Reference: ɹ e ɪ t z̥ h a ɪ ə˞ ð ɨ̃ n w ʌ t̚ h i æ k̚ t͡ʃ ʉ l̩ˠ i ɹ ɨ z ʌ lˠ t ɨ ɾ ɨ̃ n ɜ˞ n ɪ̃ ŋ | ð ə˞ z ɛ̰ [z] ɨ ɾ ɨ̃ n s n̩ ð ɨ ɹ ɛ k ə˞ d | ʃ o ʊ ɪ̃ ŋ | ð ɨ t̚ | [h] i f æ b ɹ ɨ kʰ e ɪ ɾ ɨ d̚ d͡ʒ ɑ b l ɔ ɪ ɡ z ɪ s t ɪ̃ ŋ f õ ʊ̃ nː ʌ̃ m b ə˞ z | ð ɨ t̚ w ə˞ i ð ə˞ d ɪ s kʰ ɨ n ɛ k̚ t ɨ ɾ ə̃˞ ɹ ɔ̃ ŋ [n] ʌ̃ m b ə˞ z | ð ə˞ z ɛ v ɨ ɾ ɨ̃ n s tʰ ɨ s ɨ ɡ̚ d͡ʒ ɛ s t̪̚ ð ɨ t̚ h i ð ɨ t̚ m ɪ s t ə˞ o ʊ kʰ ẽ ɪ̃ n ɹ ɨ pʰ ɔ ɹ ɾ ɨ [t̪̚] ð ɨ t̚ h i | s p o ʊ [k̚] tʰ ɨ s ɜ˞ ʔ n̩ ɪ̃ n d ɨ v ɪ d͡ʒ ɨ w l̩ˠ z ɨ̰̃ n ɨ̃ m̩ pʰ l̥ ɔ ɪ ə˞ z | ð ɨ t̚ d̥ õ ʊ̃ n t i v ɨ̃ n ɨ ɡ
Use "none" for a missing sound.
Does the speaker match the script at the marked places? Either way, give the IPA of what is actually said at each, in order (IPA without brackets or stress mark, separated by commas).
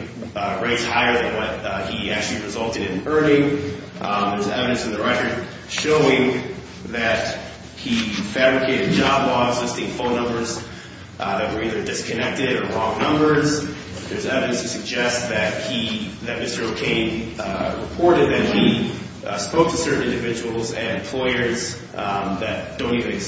v, h, n, d̪̚, k̚